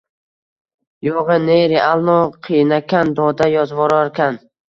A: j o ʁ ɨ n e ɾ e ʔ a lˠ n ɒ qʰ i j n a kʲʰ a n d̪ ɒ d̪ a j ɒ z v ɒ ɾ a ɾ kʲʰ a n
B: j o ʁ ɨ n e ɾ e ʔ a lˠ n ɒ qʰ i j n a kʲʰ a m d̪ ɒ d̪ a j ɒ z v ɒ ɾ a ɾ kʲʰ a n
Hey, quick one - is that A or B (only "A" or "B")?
A